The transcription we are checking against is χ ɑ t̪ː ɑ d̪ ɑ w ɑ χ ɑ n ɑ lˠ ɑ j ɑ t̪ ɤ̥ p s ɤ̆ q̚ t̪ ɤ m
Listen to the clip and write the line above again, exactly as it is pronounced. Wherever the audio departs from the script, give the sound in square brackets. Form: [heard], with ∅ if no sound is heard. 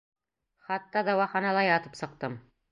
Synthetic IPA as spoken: χ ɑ t̪ː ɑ d̪ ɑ w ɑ χ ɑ n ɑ lˠ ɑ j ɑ t̪ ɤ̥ p s ɤ̆ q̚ t̪ ɤ m